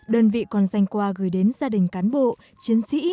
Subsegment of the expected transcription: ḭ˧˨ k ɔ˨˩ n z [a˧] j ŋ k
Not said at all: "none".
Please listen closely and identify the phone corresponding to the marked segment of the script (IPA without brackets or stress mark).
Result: a˧